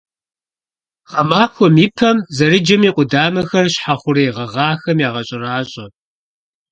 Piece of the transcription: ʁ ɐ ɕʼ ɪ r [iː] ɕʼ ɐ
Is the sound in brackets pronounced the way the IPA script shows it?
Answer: no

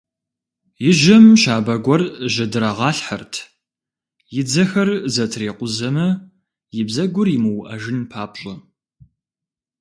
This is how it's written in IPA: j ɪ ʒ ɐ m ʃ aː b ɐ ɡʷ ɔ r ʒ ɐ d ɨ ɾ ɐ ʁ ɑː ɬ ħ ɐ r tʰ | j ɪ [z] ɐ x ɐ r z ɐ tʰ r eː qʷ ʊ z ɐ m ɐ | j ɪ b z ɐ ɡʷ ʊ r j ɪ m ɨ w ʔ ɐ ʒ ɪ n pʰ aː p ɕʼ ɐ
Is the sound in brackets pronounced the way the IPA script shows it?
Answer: no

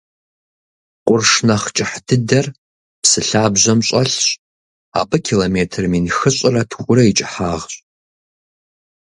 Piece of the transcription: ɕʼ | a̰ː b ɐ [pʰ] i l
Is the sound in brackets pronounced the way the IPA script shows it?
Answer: no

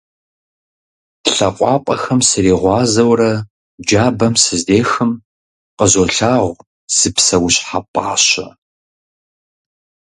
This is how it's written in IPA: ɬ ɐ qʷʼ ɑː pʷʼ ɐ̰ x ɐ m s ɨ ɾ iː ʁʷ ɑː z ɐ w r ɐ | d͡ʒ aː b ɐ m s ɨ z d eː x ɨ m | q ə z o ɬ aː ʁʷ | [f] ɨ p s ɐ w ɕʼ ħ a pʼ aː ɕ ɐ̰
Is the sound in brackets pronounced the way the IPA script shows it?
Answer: no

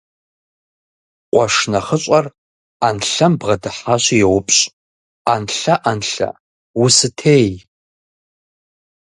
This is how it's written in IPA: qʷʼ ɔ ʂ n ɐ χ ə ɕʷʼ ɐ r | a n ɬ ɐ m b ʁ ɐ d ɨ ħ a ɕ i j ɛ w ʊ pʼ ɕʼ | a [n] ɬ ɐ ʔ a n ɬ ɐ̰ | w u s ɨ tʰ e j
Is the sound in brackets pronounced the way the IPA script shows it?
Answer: yes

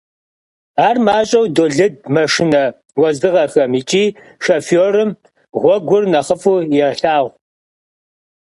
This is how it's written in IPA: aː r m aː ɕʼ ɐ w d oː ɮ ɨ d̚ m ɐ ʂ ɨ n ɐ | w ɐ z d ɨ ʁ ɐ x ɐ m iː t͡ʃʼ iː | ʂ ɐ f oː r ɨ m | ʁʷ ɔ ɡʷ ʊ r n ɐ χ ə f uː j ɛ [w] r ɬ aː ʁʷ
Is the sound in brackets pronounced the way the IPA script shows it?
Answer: no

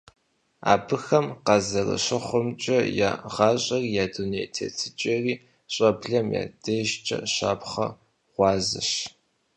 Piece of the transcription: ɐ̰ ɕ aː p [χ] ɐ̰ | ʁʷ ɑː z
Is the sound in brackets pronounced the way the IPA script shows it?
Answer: yes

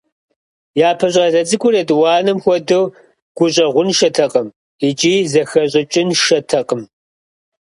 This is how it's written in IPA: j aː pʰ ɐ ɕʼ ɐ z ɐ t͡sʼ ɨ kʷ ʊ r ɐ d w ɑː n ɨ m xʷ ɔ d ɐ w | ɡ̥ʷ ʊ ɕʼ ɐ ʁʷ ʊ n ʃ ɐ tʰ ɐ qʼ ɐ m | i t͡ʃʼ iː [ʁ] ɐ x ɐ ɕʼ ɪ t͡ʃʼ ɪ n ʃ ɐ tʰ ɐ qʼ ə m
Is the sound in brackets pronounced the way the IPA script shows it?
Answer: no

